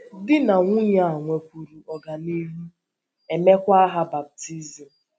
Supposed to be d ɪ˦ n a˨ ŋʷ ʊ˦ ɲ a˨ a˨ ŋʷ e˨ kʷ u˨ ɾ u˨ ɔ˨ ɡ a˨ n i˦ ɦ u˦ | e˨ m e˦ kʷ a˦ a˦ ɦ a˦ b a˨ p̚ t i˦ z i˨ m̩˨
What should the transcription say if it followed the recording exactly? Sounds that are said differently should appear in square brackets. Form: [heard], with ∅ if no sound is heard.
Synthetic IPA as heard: d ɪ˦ n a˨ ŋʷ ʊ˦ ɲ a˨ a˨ ŋʷ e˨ kʷ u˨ ɾ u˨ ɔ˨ ɡ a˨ n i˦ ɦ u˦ | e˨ m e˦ kʷ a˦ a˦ ɦ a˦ b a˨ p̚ t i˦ z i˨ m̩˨